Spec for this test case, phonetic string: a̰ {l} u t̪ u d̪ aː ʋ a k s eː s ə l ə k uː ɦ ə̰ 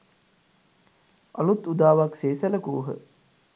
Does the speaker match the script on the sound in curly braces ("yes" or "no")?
yes